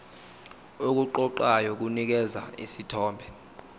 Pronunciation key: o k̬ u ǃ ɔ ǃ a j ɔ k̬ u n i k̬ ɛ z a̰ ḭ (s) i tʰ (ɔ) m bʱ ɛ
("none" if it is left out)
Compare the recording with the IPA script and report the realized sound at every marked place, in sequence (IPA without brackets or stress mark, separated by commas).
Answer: s, ɔː